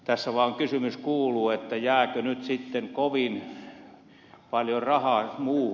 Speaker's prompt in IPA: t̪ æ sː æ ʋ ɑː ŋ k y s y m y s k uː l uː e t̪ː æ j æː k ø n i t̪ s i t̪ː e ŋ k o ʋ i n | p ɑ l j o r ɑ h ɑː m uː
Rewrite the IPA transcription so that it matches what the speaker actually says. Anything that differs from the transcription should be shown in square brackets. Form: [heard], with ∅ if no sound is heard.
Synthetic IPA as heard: t̪ æ sː æ ʋ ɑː ŋ k y s y m y s k uː l uː e t̪ː æ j æː k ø n [y] t̪ s i t̪ː e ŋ k o ʋ i n | p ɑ l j o r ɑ h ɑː m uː